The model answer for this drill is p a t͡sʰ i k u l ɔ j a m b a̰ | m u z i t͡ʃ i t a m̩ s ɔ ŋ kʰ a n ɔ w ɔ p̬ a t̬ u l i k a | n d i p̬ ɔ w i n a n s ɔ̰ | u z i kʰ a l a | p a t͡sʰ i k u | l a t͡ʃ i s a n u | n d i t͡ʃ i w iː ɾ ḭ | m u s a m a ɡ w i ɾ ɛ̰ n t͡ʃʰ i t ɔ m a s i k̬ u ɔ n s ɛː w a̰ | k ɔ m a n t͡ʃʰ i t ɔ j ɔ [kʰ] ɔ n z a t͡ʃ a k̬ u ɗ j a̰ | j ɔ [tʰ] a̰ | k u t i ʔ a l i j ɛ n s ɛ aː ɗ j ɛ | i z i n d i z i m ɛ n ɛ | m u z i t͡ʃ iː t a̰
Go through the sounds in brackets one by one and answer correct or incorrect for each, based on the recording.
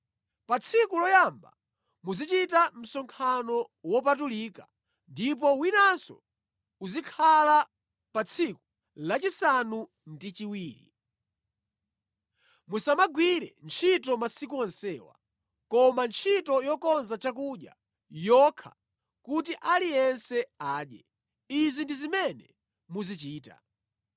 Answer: incorrect: k, incorrect: kʰ

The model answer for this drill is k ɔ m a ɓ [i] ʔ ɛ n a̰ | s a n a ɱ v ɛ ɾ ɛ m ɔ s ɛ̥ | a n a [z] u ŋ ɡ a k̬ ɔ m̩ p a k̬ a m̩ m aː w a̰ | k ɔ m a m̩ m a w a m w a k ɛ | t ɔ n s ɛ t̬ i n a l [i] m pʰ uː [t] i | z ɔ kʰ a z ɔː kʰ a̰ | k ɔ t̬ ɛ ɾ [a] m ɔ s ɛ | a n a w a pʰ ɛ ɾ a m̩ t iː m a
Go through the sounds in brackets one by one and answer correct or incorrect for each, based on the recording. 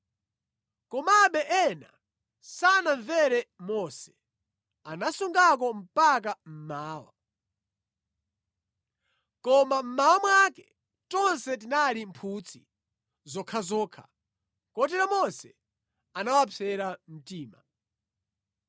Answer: incorrect: ɛ, incorrect: s, correct, incorrect: t͡sʰ, correct

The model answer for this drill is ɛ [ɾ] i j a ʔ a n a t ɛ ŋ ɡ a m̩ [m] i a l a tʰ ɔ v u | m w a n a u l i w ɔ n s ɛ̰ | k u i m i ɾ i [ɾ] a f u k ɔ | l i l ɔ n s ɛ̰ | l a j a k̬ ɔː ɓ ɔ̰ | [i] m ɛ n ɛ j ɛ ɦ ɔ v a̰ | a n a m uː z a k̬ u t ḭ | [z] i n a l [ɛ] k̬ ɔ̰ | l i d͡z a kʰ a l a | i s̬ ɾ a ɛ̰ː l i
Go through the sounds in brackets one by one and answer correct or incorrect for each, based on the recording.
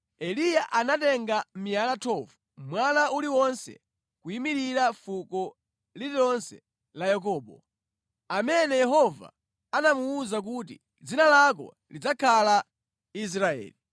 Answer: incorrect: l, correct, correct, incorrect: a, incorrect: d͡z, incorrect: a

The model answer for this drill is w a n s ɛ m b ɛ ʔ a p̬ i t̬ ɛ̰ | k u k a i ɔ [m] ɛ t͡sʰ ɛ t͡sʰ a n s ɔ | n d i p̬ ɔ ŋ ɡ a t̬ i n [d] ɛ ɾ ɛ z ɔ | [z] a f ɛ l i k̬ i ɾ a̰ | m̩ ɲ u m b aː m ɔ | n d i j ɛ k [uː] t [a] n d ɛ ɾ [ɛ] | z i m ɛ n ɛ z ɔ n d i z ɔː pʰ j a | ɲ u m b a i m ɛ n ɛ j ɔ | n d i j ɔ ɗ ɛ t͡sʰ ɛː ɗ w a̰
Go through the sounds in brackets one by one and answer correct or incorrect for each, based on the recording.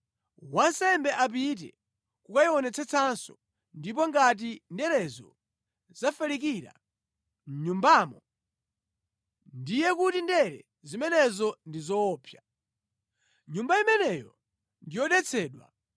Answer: incorrect: n, correct, correct, incorrect: u, incorrect: i, correct

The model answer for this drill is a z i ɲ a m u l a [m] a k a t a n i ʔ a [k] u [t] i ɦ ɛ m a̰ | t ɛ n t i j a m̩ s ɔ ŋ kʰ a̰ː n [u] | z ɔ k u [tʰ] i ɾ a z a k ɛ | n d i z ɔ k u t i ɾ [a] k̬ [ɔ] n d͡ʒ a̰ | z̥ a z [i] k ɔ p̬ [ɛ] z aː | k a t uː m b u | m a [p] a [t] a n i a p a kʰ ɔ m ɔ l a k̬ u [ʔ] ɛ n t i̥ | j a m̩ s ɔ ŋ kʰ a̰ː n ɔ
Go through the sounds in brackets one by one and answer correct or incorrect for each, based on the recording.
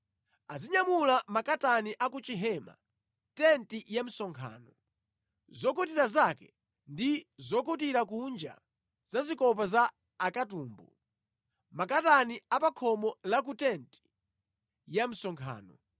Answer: correct, correct, incorrect: t͡ʃ, incorrect: ɔ, incorrect: t, correct, incorrect: u, correct, incorrect: a, incorrect: k, correct, incorrect: t

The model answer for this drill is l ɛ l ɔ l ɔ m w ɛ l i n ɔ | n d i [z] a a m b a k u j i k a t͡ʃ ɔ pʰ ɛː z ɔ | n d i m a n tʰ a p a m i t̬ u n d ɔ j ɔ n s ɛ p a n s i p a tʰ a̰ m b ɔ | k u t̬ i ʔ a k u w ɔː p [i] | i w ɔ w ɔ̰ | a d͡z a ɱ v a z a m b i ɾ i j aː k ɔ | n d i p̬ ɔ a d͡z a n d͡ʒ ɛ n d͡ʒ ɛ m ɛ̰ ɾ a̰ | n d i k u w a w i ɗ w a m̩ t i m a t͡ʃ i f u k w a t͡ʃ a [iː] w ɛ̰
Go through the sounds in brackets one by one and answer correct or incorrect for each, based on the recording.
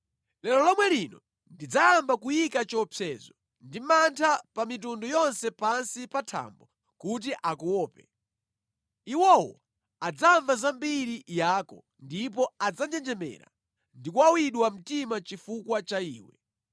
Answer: incorrect: d͡z, incorrect: ɛ, correct

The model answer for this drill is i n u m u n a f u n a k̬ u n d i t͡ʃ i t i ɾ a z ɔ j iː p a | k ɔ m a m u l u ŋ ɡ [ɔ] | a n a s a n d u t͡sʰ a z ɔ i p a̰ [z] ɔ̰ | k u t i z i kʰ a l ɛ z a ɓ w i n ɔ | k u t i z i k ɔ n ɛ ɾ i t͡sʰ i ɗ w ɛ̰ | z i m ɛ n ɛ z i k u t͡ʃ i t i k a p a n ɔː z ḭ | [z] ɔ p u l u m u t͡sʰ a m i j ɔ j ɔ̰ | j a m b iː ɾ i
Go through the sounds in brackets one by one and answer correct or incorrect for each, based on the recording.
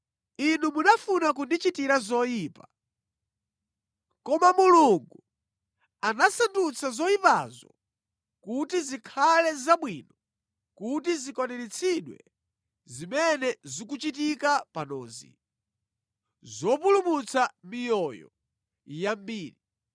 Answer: incorrect: u, correct, correct

